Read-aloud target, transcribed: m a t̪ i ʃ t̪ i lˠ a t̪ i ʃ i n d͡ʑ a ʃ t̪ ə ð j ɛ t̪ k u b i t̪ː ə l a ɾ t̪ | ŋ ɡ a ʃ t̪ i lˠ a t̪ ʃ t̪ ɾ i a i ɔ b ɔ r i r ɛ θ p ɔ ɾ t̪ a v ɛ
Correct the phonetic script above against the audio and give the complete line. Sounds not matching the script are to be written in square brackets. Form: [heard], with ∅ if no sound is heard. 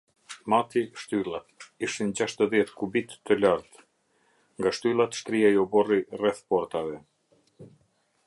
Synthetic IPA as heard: m a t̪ i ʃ t̪ [y] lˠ a t̪ i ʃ i n d͡ʑ a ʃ t̪ ə ð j ɛ t̪ k u b i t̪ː ə l a ɾ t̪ | ŋ ɡ a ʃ t̪ [y] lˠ a t̪ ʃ t̪ ɾ i a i ɔ b ɔ r i r ɛ θ p ɔ ɾ t̪ a v ɛ